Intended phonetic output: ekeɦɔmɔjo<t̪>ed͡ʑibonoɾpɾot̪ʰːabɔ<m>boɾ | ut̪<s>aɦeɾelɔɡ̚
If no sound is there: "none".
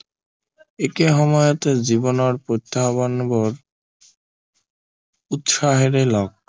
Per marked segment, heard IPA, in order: t̪, n, ʃ

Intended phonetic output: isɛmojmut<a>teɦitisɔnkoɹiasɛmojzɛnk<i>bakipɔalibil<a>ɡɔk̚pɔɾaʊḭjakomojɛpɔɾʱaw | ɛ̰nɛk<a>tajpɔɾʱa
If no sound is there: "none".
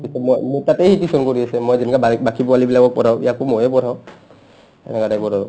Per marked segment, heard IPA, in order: a, a, a, a

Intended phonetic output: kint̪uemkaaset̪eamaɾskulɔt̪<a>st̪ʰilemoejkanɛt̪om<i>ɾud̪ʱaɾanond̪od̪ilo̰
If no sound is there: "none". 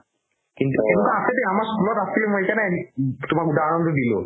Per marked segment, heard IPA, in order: a, a

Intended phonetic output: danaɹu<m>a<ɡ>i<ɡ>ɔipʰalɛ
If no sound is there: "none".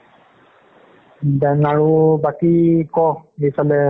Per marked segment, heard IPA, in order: b, k, k

